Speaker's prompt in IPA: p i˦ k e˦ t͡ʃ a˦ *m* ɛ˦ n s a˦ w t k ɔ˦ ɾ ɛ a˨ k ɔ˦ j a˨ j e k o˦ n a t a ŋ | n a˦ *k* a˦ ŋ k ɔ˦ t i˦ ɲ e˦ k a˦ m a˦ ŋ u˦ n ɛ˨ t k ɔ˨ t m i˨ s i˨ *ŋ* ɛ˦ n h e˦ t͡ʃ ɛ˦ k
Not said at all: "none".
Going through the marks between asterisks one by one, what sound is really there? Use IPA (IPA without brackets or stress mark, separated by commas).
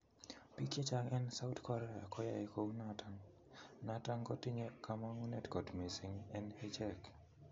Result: ŋ, t, ŋ